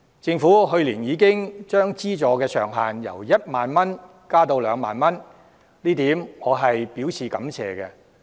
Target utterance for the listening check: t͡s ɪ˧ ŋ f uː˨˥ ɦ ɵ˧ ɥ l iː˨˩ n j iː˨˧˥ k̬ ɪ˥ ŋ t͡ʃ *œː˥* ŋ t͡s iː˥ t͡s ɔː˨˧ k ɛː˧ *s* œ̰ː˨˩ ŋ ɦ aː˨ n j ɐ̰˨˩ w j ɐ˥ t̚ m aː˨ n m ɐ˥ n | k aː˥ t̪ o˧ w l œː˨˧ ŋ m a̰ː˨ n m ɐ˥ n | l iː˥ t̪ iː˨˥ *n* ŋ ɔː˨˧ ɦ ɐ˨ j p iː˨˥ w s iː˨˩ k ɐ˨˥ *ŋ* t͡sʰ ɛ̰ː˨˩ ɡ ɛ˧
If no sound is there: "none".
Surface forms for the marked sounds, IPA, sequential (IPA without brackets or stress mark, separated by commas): œː˥, s, m, m